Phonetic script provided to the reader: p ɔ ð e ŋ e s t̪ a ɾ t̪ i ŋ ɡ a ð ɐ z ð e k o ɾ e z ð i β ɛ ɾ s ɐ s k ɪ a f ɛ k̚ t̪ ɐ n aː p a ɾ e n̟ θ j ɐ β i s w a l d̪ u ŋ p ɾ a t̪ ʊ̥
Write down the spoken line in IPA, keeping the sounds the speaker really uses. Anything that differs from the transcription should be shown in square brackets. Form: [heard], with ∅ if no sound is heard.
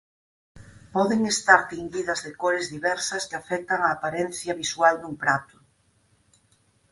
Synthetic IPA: p ɔ ð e ŋ e s t̪ a ɾ t̪ i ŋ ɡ [i] ð ɐ z ð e k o ɾ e z ð i β ɛ ɾ s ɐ s k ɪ a f ɛ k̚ t̪ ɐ [ŋ] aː p a ɾ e n̟ θ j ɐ β i s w a l d̪ u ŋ p ɾ a t̪ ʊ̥

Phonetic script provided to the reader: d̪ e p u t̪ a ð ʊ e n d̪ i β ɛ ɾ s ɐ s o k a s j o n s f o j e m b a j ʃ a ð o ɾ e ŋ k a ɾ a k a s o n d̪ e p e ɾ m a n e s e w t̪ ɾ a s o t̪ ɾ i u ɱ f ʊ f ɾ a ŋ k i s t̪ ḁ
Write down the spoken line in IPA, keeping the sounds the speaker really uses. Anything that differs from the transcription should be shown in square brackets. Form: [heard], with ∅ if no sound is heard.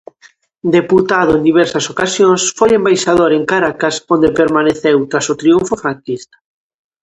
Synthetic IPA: d̪ e p u t̪ a ð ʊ e n d̪ i β ɛ ɾ s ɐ s o k a s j o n s f o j e m b a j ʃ a ð o ɾ e ŋ k a ɾ a k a s o n d̪ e p e ɾ m a n e [θ] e w t̪ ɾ a s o t̪ ɾ i u ɱ f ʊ f ɾ a ŋ k i s t̪ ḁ

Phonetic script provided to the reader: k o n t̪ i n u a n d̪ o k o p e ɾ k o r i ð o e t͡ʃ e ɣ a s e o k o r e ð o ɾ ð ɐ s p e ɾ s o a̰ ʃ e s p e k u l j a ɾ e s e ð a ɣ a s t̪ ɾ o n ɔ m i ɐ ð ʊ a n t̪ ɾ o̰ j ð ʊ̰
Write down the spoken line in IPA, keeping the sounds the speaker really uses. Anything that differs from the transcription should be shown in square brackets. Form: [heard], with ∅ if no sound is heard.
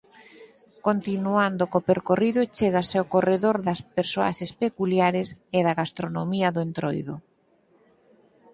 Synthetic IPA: k o n t̪ i n u a n d̪ o k o p e ɾ k o r i ð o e t͡ʃ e ɣ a s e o k o r e ð o ɾ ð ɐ s p e ɾ s o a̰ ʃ e s p e k u l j a ɾ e s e ð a ɣ a s t̪ ɾ o n [o] m i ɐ ð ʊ [e] n t̪ ɾ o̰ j ð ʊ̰

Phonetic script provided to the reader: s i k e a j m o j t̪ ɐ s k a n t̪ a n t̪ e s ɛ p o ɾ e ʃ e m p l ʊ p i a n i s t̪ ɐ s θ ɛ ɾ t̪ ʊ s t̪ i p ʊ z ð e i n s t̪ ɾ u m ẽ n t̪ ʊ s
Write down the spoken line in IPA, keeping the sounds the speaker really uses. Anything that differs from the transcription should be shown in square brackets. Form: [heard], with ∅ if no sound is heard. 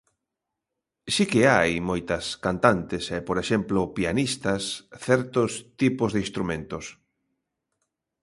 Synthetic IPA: s i k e a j m o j t̪ ɐ s k a n t̪ a n t̪ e s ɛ p o ɾ e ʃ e m p l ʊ p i a n i s t̪ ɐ s θ ɛ ɾ t̪ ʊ s t̪ i p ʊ z ð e i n s t̪ ɾ u m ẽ n t̪ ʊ s

